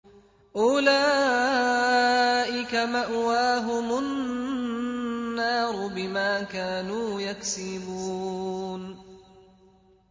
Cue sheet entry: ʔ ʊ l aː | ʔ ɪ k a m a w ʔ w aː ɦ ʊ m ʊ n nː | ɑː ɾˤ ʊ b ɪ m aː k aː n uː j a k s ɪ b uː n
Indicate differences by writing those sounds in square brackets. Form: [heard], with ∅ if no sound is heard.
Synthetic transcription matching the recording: ʔ ʊ l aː | ʔ ɪ k a m a [∅] ʔ w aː ɦ ʊ m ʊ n nː | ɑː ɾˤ ʊ b ɪ m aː k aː n uː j a k s ɪ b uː n